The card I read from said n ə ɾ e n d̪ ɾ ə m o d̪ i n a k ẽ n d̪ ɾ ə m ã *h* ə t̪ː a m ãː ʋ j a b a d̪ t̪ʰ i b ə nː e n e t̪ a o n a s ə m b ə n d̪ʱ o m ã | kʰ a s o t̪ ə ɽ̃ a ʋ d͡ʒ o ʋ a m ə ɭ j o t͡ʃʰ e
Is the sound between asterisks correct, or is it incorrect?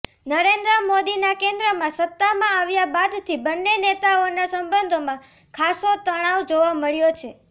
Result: incorrect